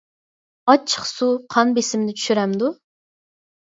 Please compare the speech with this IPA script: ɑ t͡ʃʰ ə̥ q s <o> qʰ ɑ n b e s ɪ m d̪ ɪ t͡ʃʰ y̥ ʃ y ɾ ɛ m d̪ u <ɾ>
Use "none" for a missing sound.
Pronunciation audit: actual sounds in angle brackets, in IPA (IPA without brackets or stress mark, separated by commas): u, none